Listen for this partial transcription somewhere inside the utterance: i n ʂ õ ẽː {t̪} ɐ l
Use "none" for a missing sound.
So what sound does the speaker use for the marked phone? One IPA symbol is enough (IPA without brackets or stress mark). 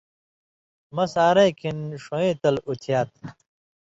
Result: t̪